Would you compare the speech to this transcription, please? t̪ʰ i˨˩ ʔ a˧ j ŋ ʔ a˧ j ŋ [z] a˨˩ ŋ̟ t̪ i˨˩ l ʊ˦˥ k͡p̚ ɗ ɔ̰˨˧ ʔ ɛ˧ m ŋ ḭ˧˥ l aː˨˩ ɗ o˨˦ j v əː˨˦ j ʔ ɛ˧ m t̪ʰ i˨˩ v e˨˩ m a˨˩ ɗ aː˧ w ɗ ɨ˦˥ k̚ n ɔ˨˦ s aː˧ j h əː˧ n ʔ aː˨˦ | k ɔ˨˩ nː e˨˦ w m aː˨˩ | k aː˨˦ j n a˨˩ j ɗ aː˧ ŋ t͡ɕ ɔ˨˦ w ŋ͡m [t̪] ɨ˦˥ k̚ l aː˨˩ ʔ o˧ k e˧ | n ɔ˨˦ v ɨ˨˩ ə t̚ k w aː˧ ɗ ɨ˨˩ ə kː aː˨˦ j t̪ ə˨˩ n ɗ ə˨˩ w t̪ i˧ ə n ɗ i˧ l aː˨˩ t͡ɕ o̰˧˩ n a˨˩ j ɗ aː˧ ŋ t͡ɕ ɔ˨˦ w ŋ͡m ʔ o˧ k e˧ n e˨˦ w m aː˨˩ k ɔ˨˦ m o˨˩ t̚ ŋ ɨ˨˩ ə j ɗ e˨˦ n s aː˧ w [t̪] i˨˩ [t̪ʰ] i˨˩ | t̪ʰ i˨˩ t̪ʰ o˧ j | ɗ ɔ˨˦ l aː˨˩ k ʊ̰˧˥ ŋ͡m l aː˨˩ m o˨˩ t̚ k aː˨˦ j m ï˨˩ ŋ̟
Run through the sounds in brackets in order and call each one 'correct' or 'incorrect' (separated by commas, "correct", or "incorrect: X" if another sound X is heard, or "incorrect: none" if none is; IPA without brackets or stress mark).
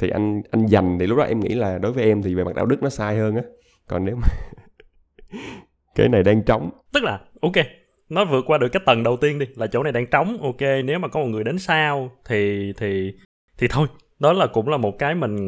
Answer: correct, correct, incorrect: t̪ʰ, correct